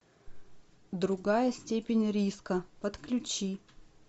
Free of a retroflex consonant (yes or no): yes